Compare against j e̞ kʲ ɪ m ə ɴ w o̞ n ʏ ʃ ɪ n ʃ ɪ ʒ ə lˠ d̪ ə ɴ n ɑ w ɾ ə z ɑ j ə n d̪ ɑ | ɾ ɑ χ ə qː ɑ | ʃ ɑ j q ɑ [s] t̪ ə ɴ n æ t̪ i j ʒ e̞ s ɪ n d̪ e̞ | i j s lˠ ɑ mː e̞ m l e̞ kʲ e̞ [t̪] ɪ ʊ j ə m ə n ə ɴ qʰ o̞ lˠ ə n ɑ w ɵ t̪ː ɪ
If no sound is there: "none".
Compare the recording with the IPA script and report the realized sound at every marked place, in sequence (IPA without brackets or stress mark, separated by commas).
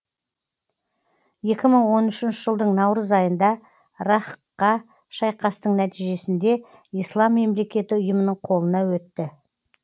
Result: s, t̪